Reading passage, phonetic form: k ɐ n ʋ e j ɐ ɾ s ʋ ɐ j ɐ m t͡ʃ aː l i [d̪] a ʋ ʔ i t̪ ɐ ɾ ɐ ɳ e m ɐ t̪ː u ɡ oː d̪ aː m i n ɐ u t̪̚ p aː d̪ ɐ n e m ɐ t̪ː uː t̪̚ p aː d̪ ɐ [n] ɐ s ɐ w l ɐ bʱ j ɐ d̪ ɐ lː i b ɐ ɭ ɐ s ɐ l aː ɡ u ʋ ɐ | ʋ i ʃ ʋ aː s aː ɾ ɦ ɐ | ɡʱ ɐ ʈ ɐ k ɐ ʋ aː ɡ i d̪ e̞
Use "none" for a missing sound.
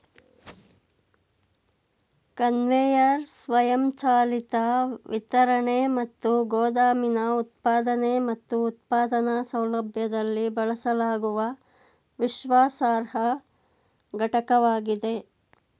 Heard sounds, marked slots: t̪, n

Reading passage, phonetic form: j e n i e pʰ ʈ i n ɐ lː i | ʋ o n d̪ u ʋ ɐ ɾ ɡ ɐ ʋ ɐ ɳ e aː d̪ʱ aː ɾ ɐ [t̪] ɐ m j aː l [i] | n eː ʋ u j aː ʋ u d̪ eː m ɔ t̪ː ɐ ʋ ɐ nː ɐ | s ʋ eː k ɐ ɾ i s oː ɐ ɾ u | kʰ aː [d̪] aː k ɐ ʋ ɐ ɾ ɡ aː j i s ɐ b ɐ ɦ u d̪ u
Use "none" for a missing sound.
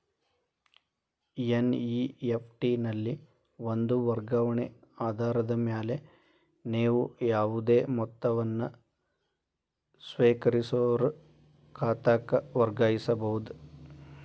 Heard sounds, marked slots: d̪, e, t̪

